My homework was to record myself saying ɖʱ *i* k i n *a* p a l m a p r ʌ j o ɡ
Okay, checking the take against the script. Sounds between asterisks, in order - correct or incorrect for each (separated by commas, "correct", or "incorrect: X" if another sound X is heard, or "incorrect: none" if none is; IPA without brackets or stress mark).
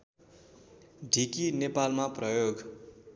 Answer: correct, incorrect: e